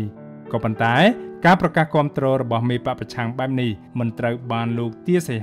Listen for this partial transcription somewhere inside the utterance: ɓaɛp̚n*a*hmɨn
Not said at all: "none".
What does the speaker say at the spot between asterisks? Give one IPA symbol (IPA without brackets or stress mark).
i